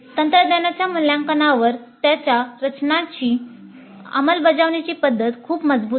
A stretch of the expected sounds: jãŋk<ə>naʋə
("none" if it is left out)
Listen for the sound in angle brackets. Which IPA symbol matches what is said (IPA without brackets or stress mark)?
ə